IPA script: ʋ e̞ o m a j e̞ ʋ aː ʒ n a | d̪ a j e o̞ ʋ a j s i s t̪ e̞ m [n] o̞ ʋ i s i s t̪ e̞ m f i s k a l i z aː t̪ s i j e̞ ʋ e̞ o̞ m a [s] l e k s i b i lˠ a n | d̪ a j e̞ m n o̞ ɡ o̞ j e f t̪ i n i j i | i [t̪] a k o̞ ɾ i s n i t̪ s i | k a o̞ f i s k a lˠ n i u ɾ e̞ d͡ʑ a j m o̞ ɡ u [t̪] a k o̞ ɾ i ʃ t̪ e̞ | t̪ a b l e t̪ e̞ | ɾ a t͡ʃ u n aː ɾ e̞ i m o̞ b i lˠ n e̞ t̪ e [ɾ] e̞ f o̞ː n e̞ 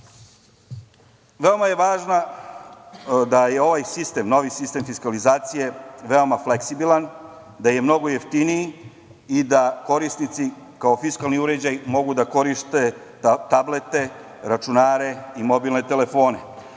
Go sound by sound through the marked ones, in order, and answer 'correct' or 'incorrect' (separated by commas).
correct, incorrect, incorrect, incorrect, incorrect